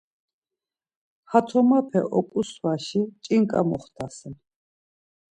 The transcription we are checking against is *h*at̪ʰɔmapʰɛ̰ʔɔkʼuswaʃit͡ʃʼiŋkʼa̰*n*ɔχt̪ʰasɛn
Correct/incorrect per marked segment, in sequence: correct, incorrect: m

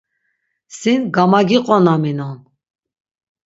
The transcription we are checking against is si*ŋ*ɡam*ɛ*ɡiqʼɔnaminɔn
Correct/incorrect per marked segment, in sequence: incorrect: n, incorrect: a

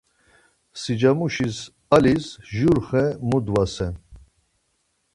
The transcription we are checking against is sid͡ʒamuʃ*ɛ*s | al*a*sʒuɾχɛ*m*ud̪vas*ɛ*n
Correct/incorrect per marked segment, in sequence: incorrect: i, incorrect: i, correct, correct

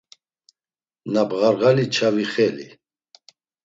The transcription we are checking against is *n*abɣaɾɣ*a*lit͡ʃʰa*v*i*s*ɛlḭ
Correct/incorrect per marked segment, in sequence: correct, correct, correct, incorrect: χ

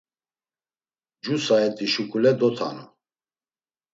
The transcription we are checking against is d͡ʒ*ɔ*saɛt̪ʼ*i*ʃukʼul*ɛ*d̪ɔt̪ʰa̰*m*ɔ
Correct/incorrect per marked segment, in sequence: incorrect: u, correct, correct, incorrect: n

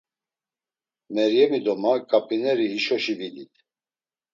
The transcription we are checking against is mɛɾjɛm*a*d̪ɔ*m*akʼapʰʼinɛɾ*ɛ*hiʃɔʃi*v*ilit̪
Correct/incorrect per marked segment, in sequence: incorrect: i, correct, incorrect: i, correct

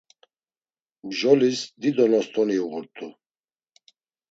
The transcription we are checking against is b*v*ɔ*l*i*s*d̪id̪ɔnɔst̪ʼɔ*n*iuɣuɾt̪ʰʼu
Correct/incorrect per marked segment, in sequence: incorrect: ʒ, correct, correct, correct

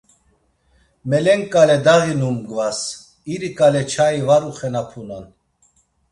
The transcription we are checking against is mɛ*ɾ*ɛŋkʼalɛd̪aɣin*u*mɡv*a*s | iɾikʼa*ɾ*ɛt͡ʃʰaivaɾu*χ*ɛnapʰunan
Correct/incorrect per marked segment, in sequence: incorrect: l, correct, correct, incorrect: l, correct

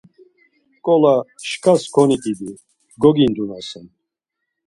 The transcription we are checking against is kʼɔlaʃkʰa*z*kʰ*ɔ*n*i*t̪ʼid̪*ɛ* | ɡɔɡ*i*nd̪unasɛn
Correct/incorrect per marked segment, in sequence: incorrect: s, correct, correct, incorrect: i, correct

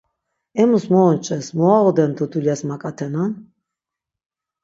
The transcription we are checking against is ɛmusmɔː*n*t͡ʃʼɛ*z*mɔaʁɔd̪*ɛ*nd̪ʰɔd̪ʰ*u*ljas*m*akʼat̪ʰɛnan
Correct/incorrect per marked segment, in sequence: correct, incorrect: s, correct, correct, correct

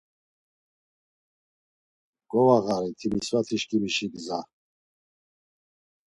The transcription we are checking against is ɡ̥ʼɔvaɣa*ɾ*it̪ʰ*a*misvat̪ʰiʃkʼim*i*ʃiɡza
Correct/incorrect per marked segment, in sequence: correct, incorrect: i, correct

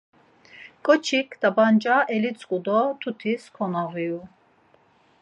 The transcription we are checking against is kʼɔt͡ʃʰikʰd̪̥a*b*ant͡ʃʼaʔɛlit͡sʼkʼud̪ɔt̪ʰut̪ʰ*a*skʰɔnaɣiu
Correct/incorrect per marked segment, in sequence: correct, incorrect: i

